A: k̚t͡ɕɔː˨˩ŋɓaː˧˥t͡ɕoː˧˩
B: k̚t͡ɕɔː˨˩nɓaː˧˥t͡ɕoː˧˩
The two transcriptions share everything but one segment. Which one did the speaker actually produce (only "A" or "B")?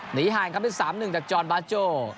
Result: B